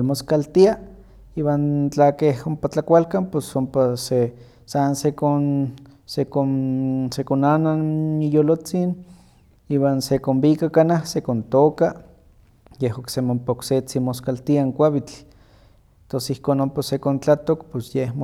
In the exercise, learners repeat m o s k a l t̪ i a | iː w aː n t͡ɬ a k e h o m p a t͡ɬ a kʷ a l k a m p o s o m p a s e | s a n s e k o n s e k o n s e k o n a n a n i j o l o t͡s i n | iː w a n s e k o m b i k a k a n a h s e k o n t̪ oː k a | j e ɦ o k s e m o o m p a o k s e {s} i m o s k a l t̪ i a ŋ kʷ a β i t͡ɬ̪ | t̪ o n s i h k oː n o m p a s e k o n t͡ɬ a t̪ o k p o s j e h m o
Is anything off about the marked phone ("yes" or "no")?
yes